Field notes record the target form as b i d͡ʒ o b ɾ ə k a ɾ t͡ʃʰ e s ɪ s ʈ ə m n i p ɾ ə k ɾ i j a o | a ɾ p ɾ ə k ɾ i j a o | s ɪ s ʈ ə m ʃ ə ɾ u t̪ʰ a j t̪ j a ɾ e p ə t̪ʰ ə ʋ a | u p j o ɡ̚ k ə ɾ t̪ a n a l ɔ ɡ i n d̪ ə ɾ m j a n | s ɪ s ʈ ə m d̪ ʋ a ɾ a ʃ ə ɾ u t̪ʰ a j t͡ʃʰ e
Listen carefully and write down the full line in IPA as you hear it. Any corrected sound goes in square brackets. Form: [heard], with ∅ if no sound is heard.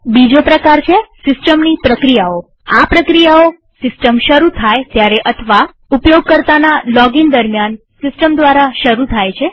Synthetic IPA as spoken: b i d͡ʒ o [p] ɾ ə k a ɾ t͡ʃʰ e s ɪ s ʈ ə m n i p ɾ ə k ɾ i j a o | a [∅] p ɾ ə k ɾ i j a o | s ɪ s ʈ ə m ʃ ə ɾ u t̪ʰ a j t̪ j a ɾ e [ʔ] ə t̪ʰ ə ʋ a | u p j o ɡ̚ k ə ɾ t̪ a n a l ɔ ɡ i n d̪ ə ɾ m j a n | s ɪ s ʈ ə m d̪ ʋ a ɾ a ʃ ə ɾ u t̪ʰ a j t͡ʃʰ e